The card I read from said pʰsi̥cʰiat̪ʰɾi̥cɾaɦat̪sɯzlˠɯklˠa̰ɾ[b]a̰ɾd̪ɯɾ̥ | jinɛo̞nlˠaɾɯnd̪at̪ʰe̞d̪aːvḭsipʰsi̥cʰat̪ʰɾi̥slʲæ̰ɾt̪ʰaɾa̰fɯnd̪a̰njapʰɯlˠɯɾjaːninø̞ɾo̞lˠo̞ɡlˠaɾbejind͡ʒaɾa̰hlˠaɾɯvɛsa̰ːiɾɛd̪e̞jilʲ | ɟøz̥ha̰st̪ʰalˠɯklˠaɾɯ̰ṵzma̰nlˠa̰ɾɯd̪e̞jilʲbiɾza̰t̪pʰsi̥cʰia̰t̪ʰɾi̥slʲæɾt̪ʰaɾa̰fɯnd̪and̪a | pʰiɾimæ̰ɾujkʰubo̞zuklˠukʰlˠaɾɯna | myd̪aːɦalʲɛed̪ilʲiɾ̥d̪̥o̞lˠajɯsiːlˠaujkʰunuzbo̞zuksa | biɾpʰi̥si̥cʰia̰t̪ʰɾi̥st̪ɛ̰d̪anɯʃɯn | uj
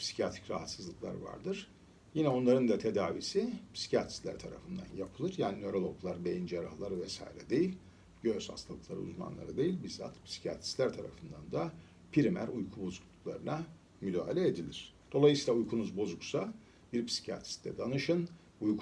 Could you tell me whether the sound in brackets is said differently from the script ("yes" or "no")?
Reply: yes